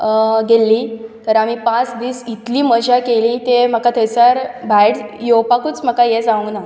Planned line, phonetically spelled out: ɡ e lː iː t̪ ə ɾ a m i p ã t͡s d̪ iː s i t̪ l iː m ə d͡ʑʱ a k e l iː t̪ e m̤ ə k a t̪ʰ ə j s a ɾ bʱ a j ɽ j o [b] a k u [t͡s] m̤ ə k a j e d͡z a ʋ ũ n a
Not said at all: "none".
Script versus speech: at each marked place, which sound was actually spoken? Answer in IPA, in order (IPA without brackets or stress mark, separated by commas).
p, t͡s